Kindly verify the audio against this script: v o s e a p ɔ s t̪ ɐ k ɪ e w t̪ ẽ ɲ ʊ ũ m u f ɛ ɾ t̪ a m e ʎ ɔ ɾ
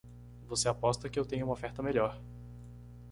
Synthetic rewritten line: v o s e a p ɔ s t̪ ɐ k ɪ e w t̪ ẽ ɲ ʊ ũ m o f ɛ ɾ t̪ ɐ m e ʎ ɔ ɾ